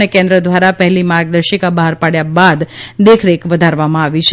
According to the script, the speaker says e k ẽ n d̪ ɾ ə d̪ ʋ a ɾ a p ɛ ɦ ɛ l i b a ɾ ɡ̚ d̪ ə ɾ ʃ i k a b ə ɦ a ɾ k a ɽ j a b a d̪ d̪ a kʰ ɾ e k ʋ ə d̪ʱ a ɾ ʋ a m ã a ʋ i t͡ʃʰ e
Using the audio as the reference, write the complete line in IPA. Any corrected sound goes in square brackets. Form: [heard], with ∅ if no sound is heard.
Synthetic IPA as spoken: e k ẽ n d̪ ɾ ə d̪ ʋ a ɾ a p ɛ ɦ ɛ l i [m] a ɾ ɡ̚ d̪ ə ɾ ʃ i k a b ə ɦ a ɾ [p] a ɽ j a b a d̪ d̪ [e] kʰ ɾ e k ʋ ə d̪ʱ a ɾ ʋ a m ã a ʋ i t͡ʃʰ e